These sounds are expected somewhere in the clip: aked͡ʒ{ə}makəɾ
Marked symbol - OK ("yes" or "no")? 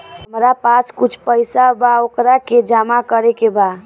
no